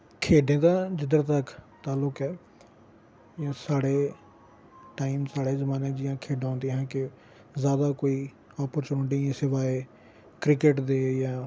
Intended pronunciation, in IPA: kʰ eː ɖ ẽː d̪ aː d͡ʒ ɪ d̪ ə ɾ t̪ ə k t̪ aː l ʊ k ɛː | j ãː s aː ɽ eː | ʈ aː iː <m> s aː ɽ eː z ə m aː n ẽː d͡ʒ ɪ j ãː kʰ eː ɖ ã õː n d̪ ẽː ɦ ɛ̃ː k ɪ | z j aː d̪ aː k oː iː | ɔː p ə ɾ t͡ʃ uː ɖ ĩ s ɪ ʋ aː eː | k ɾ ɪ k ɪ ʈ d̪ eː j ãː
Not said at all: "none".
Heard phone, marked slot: m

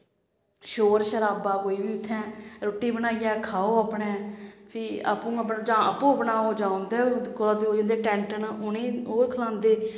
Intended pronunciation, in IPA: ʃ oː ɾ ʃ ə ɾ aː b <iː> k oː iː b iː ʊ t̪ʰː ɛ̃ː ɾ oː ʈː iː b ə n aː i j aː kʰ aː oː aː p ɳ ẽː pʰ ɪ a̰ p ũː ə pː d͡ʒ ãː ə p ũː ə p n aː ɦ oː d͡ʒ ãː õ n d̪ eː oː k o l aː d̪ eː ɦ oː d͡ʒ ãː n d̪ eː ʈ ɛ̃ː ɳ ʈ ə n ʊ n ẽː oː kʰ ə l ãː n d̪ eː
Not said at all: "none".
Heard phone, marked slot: aː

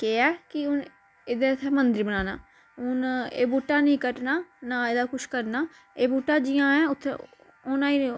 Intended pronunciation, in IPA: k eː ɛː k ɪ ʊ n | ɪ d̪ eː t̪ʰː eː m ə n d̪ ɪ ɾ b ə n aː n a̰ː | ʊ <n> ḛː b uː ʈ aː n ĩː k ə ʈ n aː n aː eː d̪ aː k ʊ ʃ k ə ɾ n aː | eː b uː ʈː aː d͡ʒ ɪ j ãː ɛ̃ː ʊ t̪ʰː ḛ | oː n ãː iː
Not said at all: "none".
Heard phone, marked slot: n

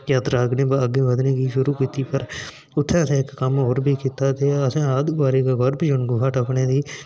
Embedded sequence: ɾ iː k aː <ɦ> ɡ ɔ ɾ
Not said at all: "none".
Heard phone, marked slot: none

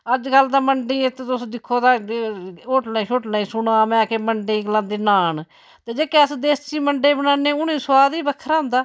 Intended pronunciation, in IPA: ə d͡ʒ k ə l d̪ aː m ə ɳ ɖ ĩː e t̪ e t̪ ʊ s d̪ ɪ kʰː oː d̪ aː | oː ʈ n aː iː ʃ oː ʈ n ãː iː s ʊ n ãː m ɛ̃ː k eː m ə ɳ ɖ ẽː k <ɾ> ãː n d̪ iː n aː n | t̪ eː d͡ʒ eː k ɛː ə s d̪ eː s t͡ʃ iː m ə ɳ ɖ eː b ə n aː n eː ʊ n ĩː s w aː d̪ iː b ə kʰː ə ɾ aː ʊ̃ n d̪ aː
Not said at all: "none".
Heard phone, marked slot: l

